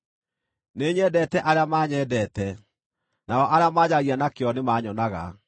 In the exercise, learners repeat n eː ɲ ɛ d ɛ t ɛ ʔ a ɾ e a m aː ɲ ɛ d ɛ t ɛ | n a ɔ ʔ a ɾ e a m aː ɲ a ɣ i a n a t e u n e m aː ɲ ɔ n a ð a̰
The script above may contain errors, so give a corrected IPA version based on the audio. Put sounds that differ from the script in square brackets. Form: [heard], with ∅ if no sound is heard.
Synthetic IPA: n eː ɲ ɛ d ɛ t ɛ ʔ a ɾ e a m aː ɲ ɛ d ɛ t ɛ | n a ɔ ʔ a ɾ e a m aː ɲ a ɣ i a n a [k] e [ɔ] n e m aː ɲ ɔ n a [ɣ] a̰